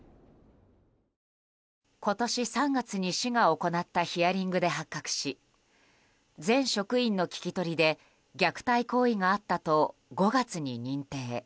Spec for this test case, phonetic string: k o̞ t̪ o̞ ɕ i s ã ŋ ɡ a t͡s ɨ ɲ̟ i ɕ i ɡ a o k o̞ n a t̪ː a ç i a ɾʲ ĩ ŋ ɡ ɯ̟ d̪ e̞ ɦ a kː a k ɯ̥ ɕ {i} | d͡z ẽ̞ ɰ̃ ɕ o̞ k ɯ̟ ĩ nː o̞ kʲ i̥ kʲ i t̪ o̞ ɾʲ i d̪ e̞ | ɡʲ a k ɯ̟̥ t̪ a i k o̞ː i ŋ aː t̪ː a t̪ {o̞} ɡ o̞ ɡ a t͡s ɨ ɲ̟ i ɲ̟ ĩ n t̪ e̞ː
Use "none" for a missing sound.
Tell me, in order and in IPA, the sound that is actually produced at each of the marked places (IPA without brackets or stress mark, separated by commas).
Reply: i, o̞